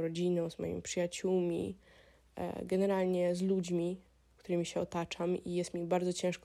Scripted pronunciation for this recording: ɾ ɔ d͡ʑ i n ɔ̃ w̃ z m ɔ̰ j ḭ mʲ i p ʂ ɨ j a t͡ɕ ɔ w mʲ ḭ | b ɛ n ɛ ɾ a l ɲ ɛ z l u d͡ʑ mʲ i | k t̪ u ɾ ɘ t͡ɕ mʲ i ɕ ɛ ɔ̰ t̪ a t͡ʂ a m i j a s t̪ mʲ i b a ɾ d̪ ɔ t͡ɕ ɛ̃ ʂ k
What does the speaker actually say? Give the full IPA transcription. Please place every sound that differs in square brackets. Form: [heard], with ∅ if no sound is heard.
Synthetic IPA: ɾ ɔ d͡ʑ i n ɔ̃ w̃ z m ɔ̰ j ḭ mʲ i p ʂ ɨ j a t͡ɕ [u] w mʲ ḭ | [ɡ] ɛ n ɛ ɾ a l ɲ ɛ z l u d͡ʑ mʲ i | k t̪ u ɾ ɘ [∅] mʲ i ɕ ɛ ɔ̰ t̪ a t͡ʂ a m i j [ɛ] s t̪ mʲ i b a ɾ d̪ ɔ t͡ɕ ɛ̃ ʂ k